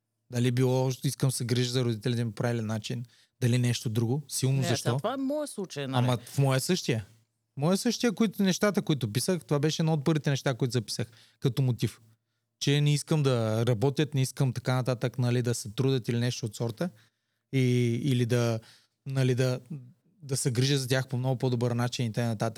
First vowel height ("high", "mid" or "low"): low